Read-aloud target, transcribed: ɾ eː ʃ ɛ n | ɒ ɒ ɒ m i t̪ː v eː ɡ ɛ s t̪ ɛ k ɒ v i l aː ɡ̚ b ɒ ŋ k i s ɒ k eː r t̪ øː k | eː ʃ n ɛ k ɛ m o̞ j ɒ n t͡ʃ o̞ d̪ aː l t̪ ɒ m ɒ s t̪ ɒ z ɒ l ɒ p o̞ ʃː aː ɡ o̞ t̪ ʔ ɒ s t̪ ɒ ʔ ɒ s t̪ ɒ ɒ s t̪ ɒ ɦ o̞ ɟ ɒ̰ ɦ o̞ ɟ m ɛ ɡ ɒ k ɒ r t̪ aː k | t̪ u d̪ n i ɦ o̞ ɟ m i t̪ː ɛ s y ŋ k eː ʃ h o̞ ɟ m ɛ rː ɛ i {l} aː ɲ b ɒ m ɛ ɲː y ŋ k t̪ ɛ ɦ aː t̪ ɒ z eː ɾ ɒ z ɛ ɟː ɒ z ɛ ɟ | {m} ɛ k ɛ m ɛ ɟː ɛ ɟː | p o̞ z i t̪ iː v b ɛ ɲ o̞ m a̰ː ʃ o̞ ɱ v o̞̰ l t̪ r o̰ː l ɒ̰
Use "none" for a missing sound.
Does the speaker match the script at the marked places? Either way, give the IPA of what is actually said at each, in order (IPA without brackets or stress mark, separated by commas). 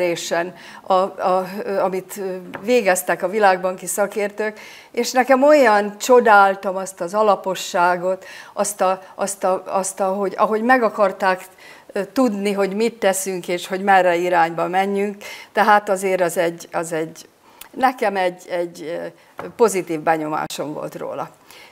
ɾ, n